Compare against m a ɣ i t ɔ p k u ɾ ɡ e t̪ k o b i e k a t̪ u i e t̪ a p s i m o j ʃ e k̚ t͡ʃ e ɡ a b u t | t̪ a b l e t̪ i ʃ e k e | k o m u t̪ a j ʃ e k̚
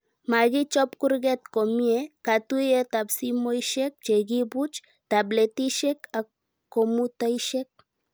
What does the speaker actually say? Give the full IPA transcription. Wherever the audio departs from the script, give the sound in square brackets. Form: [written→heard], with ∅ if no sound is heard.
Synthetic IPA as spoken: m a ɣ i [t→t͡ʃ] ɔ p k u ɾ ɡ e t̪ k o [b→m] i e k a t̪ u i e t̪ a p s i m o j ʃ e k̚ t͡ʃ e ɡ [a→i] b u [t→t͡ʃ] | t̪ a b l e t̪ i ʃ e k [e→a] | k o m u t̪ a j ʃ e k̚